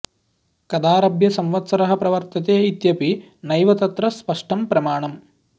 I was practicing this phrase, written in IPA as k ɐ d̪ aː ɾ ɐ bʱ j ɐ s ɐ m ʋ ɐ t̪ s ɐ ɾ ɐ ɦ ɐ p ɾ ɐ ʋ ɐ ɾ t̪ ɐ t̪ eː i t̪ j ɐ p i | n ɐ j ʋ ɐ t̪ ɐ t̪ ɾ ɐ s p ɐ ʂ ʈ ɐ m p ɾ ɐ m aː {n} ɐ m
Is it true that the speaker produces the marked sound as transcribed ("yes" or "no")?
no